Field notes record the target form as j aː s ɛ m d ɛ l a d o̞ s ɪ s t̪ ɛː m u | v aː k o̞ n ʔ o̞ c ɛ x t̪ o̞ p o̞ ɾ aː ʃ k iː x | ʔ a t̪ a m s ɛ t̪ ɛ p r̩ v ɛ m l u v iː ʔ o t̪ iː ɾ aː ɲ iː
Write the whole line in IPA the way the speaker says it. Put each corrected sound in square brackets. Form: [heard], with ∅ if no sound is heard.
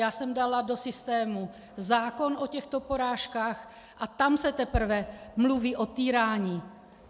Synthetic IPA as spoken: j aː s ɛ m d [a] l a d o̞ s ɪ s t̪ ɛː m u | [z] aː k o̞ n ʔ o̞ c ɛ x t̪ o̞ p o̞ ɾ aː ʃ k [aː] x | ʔ a t̪ a m s ɛ t̪ ɛ p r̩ v ɛ m l u v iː ʔ o t̪ iː ɾ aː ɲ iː